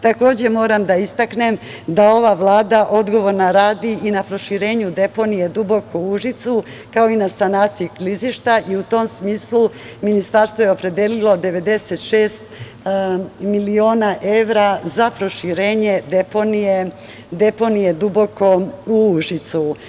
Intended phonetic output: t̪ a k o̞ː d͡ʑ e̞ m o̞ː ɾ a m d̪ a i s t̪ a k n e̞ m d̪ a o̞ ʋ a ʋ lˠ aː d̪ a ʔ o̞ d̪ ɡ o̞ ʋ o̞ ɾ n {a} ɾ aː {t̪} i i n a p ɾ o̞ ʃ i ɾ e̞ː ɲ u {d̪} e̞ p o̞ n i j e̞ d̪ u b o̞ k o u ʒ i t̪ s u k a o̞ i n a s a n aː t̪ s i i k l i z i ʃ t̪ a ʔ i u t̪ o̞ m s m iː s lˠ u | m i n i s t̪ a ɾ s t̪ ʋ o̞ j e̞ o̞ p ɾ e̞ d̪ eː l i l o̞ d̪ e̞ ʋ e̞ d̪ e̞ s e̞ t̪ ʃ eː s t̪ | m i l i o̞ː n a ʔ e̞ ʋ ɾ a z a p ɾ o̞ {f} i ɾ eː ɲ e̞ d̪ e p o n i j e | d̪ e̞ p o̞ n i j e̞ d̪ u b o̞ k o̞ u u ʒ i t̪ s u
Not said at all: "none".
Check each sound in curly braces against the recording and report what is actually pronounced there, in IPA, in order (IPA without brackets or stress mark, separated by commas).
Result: a, d̪, d̪, ʃ